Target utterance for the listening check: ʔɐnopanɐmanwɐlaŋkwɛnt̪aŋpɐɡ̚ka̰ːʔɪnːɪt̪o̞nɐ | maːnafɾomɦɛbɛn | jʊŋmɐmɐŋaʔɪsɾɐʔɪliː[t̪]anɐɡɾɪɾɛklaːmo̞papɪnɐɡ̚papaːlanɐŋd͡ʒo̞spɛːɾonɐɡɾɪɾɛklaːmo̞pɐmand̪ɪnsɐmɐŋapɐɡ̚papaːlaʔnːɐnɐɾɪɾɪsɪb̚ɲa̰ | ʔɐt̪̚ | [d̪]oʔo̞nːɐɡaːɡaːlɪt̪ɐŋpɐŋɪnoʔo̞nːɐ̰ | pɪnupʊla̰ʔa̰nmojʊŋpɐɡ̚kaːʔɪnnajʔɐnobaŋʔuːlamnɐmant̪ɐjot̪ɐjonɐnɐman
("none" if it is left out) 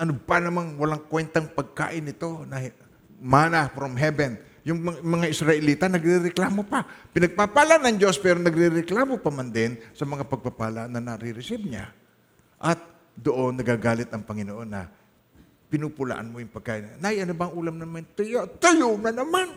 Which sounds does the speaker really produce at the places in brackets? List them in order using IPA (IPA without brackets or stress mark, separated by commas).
t̪, d̪